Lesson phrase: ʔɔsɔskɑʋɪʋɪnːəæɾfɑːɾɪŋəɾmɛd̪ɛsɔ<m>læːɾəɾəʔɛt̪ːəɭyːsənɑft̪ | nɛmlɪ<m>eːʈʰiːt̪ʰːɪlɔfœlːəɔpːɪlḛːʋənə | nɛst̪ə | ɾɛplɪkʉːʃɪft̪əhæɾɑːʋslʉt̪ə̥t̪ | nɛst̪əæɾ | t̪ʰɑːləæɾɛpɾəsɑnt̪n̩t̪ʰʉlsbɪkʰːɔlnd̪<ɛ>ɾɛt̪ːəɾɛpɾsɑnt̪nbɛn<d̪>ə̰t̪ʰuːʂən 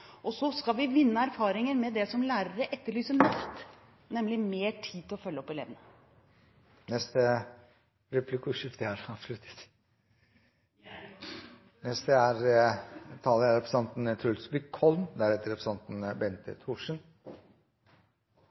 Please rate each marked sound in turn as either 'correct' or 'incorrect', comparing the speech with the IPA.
correct, correct, incorrect, incorrect

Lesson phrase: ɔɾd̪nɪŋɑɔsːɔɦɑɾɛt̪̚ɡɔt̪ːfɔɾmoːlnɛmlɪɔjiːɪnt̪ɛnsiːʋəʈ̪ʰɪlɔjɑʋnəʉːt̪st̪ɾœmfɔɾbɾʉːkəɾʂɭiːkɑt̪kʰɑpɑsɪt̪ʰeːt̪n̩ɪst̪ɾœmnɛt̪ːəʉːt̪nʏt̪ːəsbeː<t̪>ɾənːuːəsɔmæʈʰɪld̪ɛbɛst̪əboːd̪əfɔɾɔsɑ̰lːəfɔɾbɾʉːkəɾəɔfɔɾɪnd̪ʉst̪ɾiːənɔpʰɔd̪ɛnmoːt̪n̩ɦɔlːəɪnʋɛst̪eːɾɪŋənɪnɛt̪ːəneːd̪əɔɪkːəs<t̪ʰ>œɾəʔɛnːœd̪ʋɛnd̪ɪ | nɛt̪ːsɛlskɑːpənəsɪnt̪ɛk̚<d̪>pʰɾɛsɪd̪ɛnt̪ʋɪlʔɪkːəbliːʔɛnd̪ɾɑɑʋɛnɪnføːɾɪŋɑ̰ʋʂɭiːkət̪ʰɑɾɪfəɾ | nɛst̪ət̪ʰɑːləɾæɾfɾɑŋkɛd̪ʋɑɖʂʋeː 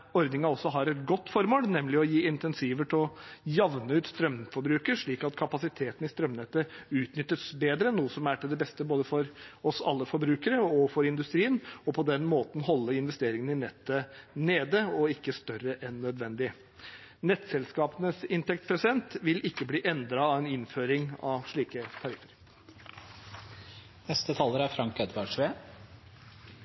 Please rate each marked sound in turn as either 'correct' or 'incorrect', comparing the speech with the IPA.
incorrect, incorrect, incorrect

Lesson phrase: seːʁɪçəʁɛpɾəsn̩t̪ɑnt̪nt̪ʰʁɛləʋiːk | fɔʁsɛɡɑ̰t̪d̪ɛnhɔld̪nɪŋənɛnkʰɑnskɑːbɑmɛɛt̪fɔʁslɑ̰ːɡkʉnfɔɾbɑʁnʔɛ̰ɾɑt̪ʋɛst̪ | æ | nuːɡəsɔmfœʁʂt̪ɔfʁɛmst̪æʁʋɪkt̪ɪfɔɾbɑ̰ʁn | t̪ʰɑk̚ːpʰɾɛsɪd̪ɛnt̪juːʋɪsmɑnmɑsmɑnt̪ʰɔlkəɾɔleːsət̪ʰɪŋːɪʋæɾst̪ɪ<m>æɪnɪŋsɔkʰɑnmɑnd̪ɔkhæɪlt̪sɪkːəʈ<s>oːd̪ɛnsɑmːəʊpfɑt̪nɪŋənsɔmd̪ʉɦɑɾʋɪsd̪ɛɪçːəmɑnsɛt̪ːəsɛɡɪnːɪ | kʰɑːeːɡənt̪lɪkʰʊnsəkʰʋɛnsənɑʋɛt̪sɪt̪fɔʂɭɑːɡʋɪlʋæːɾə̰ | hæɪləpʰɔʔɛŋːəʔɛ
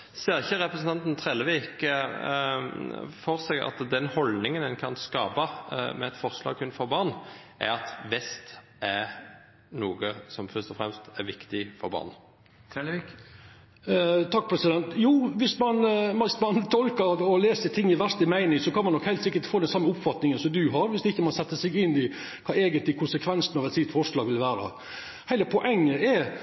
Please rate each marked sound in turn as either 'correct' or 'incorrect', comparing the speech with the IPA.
correct, incorrect

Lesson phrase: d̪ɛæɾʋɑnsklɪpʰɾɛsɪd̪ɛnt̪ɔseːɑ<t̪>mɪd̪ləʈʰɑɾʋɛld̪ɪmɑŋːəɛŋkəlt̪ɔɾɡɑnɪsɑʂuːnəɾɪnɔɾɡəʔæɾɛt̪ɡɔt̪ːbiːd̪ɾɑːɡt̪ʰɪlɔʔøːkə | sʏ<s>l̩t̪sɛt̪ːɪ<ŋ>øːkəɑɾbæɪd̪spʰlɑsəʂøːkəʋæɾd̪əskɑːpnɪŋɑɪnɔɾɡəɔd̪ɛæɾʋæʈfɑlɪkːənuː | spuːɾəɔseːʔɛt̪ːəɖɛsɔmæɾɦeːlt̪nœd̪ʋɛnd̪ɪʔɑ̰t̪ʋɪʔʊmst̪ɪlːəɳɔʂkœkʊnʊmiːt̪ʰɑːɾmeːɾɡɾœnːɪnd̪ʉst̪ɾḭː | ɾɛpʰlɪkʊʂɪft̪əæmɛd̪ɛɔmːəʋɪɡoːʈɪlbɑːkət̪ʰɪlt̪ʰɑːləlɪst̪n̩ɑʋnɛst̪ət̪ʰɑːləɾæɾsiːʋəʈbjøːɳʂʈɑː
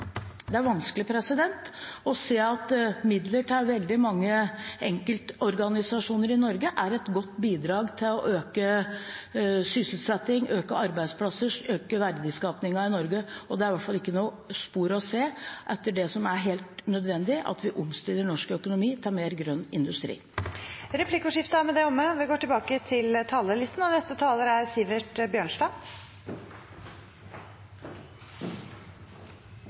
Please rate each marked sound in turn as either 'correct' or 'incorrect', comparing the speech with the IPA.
correct, correct, correct

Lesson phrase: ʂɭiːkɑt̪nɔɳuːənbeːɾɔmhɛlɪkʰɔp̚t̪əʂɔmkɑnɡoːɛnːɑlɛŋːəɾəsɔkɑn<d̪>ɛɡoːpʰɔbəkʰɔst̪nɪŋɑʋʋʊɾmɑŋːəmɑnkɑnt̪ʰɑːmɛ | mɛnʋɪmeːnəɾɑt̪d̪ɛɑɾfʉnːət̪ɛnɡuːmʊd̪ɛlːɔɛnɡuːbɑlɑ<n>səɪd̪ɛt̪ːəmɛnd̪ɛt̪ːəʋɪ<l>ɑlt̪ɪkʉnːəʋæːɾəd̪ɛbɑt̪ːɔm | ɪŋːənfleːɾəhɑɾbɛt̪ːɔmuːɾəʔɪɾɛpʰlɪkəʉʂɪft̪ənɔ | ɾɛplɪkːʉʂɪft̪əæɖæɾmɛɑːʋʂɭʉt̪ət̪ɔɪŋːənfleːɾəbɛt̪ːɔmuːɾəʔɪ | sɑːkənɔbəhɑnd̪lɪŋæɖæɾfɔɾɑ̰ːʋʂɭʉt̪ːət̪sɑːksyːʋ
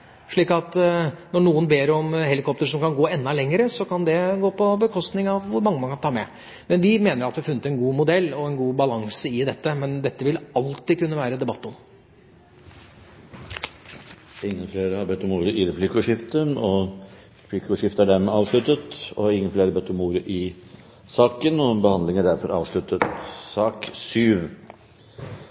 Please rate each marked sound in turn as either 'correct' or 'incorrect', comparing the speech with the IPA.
correct, incorrect, correct

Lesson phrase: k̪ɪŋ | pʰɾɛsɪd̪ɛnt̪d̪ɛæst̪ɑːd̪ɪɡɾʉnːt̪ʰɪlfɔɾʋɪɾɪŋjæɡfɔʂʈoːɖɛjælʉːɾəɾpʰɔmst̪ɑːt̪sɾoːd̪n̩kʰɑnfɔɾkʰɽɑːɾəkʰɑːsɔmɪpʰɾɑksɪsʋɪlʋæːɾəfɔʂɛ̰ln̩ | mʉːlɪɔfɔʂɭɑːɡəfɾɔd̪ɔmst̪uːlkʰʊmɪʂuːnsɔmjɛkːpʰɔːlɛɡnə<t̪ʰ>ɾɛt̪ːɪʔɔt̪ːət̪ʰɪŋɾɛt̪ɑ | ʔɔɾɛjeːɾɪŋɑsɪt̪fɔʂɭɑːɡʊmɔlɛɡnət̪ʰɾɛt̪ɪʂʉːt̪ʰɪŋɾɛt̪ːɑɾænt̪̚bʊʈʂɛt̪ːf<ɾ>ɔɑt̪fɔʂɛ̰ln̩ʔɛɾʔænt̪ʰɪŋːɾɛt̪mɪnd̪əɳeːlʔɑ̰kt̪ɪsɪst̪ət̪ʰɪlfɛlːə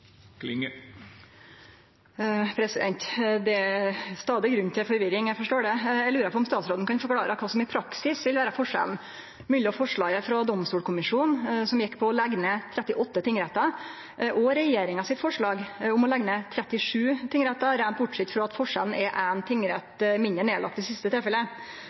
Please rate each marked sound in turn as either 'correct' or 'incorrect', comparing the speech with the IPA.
correct, correct

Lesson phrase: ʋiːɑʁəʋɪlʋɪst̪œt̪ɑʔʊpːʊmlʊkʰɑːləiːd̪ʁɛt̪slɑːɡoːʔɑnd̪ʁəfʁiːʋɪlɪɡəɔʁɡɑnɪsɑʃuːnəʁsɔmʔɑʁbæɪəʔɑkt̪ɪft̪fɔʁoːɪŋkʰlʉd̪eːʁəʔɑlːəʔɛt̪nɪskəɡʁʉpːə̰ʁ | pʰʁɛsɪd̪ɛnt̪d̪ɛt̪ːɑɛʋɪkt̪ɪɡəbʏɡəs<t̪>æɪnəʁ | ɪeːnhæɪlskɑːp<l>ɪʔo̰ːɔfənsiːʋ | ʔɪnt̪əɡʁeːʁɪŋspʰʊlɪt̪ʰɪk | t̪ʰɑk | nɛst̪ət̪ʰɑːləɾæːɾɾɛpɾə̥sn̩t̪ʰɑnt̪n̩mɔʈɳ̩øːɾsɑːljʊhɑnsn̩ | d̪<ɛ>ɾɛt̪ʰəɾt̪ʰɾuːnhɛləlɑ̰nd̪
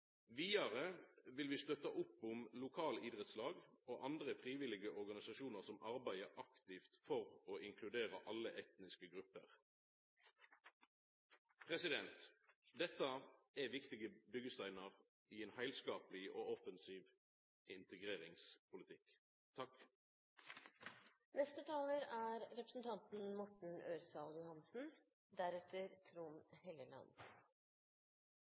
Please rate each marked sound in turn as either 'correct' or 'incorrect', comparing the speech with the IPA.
correct, correct, incorrect

